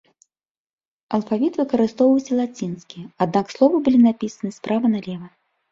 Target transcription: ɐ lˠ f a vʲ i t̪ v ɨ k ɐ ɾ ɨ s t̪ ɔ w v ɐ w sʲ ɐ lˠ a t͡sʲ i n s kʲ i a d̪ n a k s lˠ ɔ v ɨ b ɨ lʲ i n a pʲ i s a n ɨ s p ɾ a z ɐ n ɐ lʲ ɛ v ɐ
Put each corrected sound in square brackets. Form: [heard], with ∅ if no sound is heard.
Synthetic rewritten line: ɐ lˠ f a vʲ i t̪ v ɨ k ɐ ɾ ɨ s t̪ ɔ w v ɐ w sʲ ɐ lˠ a t͡sʲ i n s kʲ i a d̪ n a k s lˠ ɔ v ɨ b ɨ lʲ i n a pʲ i s [ɐ] n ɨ s p ɾ a [v] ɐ n ɐ lʲ ɛ v ɐ